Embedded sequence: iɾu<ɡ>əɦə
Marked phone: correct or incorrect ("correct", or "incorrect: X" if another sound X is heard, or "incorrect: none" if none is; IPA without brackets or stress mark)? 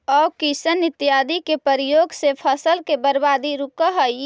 incorrect: k